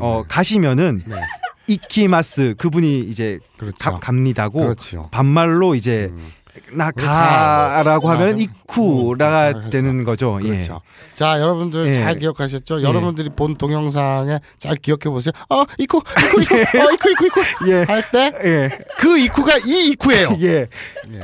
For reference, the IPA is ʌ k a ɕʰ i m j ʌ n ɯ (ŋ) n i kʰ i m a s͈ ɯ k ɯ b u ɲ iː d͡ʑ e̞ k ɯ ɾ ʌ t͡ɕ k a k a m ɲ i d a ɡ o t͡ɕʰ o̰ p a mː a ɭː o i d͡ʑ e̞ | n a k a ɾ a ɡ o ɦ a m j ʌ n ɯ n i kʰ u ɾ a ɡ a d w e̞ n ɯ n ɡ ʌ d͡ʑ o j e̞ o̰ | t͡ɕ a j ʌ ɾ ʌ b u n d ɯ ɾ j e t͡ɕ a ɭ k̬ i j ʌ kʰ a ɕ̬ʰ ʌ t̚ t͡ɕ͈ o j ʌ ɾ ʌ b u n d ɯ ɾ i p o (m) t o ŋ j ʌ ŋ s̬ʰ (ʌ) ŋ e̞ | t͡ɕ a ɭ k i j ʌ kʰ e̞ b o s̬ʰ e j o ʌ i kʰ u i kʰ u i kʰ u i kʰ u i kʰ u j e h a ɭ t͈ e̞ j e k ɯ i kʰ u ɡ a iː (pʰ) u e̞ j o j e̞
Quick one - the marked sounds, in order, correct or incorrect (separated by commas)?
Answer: incorrect, incorrect, incorrect, incorrect